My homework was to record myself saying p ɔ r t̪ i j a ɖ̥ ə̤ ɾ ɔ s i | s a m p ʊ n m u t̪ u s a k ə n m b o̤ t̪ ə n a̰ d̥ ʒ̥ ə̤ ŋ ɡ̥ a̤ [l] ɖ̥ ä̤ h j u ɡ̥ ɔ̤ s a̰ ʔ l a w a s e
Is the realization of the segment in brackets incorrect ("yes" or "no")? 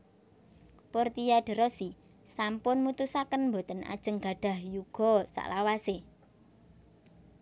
yes